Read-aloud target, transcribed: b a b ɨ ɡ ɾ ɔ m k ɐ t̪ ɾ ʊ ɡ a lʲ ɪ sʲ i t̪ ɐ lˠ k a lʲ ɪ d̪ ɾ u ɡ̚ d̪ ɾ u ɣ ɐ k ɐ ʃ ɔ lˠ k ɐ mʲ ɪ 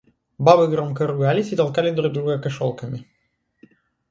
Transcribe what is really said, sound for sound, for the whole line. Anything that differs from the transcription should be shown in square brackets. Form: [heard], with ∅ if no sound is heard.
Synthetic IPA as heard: b a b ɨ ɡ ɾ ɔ m k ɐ [∅] ɾ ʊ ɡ a lʲ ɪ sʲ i t̪ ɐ lˠ k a lʲ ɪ d̪ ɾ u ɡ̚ d̪ ɾ u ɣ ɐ k ɐ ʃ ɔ lˠ k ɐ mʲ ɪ